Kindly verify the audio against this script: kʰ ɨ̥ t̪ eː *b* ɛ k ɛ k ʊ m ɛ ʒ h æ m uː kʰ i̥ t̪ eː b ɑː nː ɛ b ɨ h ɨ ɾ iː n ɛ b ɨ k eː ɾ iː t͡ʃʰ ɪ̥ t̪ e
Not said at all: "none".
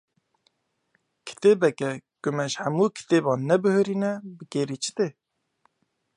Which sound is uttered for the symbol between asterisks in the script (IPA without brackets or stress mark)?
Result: b